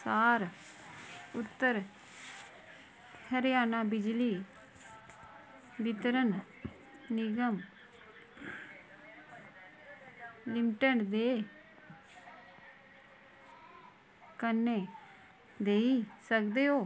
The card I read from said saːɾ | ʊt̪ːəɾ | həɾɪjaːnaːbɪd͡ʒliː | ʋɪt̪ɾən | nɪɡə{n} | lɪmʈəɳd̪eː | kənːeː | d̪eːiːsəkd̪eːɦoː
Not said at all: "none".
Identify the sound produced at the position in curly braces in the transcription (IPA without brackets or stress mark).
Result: m